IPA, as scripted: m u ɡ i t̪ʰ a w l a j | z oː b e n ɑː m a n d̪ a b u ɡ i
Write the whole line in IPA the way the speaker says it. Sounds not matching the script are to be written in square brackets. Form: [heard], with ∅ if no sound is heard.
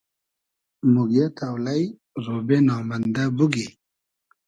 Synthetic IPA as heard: m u ɡ [e] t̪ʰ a w l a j | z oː b e n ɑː m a n d̪ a b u ɡ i